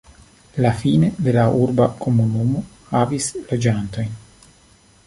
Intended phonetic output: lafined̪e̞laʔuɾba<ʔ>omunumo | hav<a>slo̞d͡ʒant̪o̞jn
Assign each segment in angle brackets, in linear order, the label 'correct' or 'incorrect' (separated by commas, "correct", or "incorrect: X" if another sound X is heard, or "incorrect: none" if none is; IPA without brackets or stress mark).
incorrect: k, incorrect: i